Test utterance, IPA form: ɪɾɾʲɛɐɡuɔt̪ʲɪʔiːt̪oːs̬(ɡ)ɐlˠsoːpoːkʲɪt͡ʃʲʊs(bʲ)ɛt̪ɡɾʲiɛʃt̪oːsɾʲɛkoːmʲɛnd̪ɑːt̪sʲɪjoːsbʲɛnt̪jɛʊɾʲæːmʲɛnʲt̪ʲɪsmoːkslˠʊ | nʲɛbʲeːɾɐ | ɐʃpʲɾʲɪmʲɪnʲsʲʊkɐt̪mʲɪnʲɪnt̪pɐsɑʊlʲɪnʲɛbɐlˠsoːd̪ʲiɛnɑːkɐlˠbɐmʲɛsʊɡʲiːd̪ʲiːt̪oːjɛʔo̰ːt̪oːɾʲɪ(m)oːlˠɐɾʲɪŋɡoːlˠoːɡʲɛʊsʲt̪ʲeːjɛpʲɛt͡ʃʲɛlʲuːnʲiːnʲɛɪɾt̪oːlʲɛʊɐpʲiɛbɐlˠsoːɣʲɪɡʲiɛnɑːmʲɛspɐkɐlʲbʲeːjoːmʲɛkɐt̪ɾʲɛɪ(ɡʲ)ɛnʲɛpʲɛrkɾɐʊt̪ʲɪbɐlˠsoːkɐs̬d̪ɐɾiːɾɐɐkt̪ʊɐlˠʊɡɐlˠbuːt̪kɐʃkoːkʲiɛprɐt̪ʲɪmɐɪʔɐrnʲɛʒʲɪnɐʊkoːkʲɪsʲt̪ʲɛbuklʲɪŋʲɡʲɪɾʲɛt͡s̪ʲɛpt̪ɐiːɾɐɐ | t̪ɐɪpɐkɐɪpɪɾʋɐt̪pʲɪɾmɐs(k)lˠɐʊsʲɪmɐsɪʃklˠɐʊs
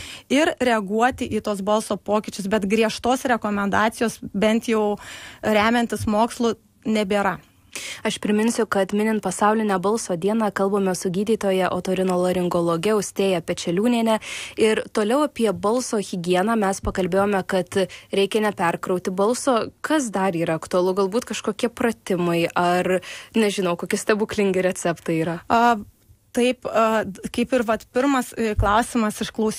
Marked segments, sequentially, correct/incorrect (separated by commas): incorrect, correct, incorrect, incorrect, correct